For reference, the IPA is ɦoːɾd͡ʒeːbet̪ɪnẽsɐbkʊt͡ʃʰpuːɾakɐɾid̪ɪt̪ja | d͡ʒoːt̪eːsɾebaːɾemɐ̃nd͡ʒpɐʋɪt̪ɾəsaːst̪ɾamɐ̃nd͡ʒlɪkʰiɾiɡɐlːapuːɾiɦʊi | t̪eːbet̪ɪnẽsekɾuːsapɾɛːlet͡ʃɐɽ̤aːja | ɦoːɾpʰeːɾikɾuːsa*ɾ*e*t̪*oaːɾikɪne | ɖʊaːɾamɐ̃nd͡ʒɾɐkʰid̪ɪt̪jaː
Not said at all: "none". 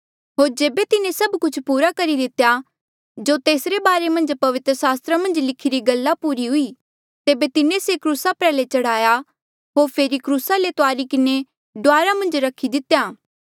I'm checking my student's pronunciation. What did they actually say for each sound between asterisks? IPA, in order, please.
l, t̪

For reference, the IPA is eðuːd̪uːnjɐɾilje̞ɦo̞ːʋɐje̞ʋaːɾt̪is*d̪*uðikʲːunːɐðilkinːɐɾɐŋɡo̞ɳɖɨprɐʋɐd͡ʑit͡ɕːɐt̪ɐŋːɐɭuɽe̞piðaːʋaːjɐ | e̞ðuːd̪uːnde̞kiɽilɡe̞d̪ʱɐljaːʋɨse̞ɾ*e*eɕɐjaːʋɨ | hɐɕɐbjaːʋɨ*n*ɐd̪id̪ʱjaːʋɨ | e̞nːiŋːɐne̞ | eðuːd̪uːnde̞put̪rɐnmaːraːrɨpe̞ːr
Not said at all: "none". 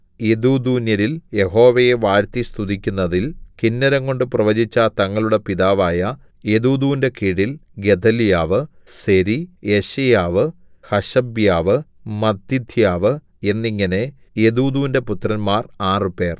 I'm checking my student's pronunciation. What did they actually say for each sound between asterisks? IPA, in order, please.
t̪, i, m

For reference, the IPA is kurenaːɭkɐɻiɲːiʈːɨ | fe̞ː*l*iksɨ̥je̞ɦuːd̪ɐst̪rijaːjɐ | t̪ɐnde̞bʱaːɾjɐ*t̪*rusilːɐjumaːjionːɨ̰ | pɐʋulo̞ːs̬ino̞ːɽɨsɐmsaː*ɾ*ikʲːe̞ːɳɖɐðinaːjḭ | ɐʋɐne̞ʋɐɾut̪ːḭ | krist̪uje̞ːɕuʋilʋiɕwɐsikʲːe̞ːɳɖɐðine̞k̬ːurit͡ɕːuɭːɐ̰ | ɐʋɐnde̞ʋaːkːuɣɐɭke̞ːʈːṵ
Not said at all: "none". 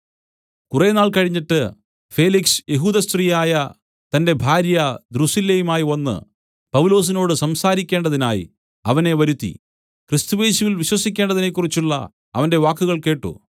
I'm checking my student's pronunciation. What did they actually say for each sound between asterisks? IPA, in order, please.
l, d̪, ɾ

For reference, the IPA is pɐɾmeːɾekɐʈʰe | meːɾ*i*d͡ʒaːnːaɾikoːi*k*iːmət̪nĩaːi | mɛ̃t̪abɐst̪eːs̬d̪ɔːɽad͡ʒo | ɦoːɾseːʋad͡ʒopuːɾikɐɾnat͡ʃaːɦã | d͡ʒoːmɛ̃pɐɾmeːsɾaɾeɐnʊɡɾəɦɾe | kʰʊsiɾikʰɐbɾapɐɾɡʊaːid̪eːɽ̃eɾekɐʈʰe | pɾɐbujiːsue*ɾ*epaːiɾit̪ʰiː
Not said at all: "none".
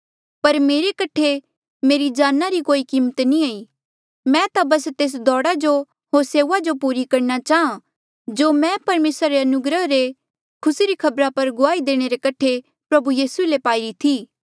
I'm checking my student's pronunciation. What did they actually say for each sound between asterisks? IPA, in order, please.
i, k, l

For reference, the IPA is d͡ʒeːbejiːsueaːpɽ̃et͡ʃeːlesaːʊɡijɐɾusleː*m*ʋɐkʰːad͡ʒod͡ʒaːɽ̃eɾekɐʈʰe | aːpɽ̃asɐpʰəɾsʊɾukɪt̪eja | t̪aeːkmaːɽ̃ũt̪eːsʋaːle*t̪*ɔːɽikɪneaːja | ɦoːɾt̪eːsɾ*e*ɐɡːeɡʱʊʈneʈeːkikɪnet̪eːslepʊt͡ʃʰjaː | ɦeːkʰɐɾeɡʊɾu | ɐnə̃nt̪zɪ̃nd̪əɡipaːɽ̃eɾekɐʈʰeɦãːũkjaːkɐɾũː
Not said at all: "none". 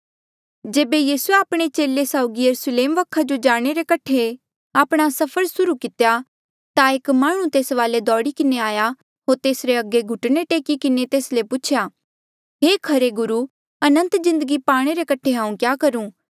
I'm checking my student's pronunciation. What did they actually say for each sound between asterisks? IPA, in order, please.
m, d̪, e

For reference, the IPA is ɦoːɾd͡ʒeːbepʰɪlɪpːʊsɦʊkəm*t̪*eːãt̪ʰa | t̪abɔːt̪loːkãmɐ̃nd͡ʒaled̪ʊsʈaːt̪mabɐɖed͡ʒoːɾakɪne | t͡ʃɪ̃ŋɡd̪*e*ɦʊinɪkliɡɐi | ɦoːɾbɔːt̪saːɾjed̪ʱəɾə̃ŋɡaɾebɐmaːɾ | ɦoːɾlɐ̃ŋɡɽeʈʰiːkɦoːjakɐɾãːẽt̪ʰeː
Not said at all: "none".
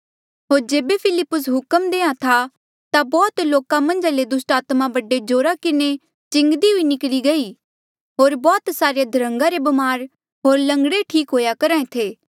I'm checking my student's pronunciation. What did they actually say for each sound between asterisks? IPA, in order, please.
d̪, i

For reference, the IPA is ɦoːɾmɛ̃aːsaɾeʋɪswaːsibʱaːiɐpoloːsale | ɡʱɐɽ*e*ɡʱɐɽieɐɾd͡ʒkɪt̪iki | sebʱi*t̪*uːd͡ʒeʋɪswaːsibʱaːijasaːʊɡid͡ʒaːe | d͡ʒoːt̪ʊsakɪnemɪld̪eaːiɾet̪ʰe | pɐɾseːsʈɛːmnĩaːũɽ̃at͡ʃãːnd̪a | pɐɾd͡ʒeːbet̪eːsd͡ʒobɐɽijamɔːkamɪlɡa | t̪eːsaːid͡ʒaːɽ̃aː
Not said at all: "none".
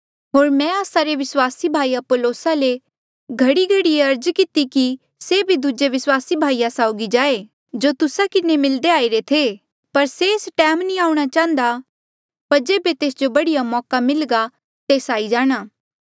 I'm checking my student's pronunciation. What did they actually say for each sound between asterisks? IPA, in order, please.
i, d̪

